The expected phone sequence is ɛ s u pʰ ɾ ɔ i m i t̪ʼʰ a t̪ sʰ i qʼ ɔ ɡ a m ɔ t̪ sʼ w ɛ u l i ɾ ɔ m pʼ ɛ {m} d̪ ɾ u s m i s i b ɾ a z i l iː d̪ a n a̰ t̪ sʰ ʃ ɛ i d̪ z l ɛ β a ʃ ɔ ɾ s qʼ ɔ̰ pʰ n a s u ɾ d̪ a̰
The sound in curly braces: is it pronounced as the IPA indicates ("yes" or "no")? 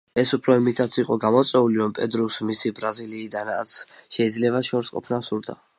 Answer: no